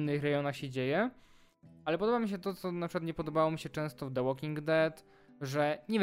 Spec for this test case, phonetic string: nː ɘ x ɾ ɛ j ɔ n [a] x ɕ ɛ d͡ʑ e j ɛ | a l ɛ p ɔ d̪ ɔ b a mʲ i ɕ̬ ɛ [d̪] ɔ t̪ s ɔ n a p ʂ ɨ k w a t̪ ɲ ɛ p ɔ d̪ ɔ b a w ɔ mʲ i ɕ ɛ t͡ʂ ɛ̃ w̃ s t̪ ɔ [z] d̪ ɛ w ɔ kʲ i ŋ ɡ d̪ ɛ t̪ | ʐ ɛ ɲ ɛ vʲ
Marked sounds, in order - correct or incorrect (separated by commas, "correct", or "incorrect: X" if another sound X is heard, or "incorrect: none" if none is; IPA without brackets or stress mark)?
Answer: correct, incorrect: t̪, incorrect: v